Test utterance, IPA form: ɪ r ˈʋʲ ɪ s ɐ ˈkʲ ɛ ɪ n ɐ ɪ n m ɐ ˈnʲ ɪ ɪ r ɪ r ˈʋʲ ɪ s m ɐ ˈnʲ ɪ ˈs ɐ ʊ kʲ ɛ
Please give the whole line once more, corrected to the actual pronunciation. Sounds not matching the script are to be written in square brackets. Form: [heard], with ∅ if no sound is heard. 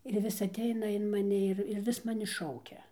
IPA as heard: ɪ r ˈʋʲ ɪ s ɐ [ˈtʲ] ɛ ɪ n ɐ ɪ n m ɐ ˈnʲ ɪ ɪ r ɪ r ˈʋʲ ɪ s m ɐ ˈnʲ ɪ [ˈʃ] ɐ ʊ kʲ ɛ